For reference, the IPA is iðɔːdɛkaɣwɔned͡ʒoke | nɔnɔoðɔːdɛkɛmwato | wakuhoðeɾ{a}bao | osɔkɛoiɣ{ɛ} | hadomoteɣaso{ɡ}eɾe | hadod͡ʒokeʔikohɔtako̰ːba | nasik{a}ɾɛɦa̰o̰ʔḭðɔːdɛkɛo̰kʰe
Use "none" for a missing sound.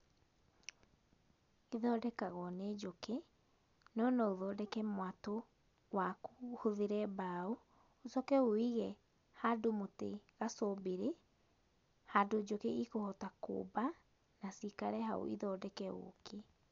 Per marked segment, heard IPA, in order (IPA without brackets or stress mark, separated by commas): ɛ, ɛ, b, a